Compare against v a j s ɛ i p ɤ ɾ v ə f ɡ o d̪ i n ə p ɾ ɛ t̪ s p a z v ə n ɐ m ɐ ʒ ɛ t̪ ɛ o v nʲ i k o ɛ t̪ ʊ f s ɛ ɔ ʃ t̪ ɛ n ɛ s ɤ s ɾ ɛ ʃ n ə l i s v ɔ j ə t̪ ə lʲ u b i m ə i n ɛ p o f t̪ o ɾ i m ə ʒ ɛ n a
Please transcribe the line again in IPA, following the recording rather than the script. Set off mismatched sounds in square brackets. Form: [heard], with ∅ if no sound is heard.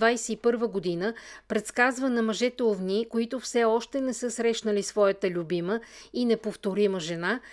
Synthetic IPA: v a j s ɛ i p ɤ ɾ v ə [∅] ɡ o d̪ i n ə p ɾ ɛ t̪ s [k] a z v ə n ɐ m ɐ ʒ ɛ t̪ ɛ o v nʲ i k o [i] t̪ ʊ f s ɛ ɔ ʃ t̪ ɛ n ɛ s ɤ s ɾ ɛ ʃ n ə l i s v ɔ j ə t̪ ə lʲ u b i m ə i n ɛ p o f t̪ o ɾ i m ə ʒ ɛ n a